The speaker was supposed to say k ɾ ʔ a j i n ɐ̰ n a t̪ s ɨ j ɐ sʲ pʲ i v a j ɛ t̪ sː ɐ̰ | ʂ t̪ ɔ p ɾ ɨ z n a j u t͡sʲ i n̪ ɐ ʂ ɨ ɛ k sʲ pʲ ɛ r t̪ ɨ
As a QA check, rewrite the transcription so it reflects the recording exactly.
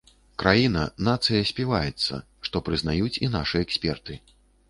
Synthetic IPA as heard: k ɾ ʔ a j i n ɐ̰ n a t̪ s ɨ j ɐ sʲ pʲ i v a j ɛ t̪ sː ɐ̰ | ʂ t̪ ɔ p ɾ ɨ z n a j u t͡sʲ i n̪ a ʂ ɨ ɛ k sʲ pʲ ɛ r t̪ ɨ